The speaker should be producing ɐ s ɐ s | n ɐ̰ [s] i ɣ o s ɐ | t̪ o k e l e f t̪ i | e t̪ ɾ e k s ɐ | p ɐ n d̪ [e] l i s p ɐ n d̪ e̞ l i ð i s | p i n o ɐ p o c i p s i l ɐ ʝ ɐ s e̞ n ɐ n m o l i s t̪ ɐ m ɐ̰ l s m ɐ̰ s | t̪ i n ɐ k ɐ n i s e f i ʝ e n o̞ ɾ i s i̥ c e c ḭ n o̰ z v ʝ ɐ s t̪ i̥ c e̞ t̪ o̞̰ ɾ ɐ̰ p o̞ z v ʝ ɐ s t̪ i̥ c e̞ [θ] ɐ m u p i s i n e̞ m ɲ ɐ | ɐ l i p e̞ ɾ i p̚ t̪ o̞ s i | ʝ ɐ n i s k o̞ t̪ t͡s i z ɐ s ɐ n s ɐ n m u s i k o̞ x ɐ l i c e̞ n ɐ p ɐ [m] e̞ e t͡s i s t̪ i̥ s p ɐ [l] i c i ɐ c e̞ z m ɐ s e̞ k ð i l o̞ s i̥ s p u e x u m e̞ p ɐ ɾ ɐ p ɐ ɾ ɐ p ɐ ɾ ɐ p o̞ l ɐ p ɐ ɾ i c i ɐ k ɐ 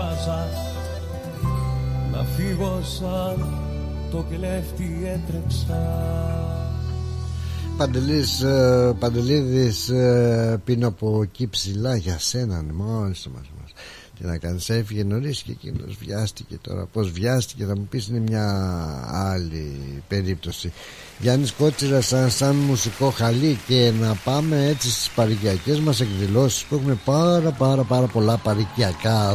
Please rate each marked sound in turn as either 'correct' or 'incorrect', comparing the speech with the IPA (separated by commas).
incorrect, correct, correct, correct, incorrect